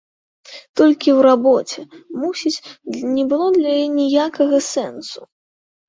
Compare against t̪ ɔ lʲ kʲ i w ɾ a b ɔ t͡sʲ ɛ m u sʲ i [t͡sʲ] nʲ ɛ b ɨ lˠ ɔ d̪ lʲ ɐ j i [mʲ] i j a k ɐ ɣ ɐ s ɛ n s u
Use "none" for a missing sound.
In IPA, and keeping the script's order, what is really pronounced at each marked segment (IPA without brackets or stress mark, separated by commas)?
t͡sʲ, nʲ